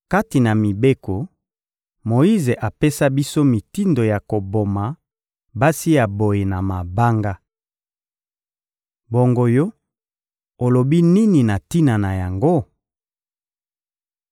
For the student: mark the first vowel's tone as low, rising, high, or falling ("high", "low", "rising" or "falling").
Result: high